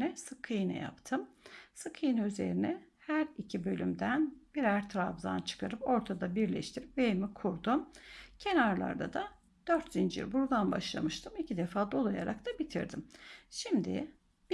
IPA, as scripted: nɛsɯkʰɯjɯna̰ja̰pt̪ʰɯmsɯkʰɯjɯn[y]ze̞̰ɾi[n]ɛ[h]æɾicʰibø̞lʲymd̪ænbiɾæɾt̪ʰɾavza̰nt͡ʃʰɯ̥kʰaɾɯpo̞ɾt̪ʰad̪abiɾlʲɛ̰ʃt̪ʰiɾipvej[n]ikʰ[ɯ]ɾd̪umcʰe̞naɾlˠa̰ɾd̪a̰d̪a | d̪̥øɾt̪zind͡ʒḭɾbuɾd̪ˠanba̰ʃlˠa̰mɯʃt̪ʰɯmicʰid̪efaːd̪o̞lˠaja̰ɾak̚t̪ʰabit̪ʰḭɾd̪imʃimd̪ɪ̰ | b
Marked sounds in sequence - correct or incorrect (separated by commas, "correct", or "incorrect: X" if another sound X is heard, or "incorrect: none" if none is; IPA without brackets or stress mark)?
correct, correct, correct, incorrect: m, incorrect: u